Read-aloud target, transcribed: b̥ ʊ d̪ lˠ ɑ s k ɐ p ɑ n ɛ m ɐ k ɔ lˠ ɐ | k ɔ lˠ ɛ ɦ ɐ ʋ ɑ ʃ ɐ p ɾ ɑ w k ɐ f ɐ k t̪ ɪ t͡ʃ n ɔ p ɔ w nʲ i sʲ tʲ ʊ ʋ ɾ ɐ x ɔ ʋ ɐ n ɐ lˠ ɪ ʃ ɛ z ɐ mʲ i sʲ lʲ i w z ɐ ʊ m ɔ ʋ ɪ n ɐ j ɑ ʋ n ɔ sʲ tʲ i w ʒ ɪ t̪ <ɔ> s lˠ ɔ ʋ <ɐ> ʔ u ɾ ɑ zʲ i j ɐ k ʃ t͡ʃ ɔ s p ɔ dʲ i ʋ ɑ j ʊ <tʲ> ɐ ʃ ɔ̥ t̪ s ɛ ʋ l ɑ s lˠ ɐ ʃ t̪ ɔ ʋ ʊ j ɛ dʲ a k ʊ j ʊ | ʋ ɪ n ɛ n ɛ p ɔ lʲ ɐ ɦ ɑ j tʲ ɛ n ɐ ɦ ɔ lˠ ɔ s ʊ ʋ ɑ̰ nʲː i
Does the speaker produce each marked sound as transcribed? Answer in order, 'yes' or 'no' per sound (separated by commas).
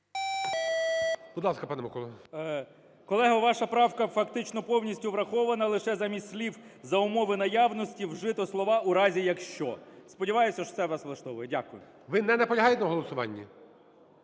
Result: yes, no, no